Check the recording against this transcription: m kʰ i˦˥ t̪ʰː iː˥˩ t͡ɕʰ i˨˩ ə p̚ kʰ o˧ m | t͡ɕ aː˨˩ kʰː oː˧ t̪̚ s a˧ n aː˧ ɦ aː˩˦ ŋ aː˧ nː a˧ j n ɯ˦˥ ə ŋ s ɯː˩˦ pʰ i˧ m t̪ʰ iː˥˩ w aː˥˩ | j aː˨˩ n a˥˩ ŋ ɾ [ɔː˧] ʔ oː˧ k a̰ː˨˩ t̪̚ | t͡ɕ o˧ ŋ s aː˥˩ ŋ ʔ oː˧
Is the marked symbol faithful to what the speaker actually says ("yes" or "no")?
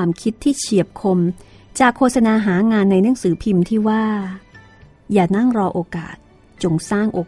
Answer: yes